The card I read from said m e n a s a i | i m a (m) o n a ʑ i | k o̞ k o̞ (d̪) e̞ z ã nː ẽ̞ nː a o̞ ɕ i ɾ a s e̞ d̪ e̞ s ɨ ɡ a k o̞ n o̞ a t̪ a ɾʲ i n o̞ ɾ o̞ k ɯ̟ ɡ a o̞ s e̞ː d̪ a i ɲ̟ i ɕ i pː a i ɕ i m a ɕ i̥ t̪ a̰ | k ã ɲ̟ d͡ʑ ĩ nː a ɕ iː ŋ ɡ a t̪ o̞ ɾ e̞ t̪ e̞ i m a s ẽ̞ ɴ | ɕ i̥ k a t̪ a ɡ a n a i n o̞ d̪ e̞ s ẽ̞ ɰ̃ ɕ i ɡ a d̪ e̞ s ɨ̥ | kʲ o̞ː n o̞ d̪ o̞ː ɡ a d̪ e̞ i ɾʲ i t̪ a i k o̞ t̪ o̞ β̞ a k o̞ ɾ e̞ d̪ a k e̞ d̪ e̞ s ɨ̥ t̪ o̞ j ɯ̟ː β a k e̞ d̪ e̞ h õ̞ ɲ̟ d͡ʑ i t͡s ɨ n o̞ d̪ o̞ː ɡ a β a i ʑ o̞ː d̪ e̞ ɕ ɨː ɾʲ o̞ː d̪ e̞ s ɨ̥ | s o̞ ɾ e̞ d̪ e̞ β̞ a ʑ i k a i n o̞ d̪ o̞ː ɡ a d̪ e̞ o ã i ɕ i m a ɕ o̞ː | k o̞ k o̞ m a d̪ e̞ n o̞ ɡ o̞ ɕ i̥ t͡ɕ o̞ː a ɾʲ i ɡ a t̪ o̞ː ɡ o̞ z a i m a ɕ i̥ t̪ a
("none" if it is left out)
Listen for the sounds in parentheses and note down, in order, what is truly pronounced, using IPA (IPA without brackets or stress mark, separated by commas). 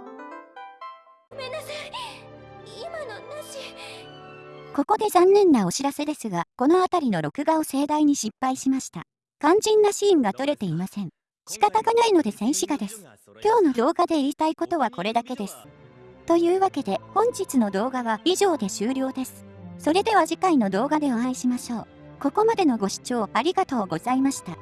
n, d̪